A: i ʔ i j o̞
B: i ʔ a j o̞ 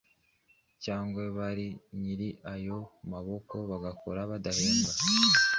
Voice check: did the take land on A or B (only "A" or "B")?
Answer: B